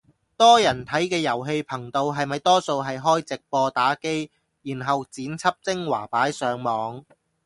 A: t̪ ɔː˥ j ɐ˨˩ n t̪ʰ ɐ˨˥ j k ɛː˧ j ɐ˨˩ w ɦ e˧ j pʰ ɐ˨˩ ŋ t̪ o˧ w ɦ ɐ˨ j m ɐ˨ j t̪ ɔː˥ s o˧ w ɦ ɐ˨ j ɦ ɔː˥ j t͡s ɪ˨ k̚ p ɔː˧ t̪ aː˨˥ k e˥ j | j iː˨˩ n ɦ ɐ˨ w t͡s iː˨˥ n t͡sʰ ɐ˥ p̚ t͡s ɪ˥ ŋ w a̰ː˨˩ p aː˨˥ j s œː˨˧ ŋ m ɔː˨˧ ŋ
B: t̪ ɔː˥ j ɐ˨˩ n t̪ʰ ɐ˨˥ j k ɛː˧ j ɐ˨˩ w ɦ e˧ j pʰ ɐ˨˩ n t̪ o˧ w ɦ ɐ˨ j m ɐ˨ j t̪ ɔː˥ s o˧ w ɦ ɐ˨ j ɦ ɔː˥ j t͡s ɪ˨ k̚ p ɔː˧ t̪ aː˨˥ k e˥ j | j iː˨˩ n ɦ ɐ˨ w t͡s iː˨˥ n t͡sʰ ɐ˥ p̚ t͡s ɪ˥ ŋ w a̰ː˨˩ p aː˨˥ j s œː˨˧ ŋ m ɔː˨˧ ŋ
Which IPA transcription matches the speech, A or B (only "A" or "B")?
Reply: A